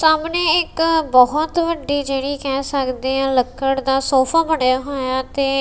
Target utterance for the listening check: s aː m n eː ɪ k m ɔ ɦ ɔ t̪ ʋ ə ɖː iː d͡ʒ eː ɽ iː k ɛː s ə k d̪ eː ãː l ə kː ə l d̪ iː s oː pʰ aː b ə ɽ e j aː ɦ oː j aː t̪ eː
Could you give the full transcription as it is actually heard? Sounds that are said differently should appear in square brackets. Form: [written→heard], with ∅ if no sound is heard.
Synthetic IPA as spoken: s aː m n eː ɪ k [m→b] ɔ ɦ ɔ t̪ ʋ ə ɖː iː d͡ʒ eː ɽ iː k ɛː s ə k d̪ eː ãː l ə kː ə [l→ɽ] d̪ [iː→aː] s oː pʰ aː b ə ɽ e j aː ɦ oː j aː t̪ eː